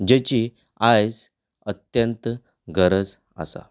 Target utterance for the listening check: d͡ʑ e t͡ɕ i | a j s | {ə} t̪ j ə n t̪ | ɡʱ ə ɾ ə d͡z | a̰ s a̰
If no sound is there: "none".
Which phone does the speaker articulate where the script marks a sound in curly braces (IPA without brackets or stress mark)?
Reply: ə